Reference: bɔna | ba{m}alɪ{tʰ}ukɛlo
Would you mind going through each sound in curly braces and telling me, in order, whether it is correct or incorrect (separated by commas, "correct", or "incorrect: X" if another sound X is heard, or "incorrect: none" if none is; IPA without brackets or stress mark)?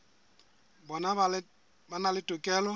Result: incorrect: n, incorrect: t